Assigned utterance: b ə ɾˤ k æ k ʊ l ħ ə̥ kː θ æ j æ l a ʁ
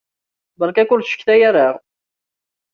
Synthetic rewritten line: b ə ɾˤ k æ k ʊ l ʃ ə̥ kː θ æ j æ ɾ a ʁ